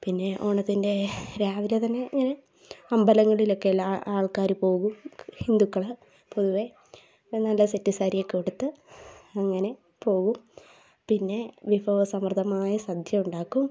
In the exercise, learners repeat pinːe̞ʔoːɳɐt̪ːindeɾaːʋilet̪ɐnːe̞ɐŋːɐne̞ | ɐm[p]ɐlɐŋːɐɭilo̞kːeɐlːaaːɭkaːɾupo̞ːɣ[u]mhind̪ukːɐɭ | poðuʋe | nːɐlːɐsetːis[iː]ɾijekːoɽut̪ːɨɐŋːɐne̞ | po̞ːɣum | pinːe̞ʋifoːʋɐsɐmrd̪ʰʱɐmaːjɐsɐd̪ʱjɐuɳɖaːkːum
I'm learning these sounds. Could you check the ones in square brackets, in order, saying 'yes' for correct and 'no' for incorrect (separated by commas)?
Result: no, yes, no